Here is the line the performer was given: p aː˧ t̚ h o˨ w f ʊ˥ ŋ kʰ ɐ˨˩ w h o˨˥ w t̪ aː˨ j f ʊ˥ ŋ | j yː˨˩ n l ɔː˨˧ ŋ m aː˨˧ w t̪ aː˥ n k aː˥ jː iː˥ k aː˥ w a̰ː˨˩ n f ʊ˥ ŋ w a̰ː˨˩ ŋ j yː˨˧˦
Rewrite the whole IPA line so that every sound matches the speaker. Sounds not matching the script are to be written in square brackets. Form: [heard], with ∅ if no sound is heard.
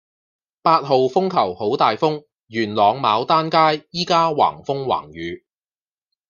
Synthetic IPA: p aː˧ t̚ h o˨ w f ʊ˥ ŋ kʰ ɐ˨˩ w h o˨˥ w t̪ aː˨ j f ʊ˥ ŋ | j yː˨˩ n l ɔː˨˧ ŋ m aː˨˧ w t̪ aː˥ n k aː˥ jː iː˥ k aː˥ w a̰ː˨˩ [ŋ] f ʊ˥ ŋ w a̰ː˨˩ ŋ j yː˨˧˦